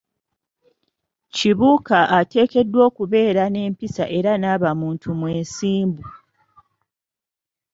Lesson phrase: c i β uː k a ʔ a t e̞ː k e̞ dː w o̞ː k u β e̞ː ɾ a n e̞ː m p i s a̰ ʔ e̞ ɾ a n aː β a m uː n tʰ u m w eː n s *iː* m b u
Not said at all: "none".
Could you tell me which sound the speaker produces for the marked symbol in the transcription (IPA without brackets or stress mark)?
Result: iː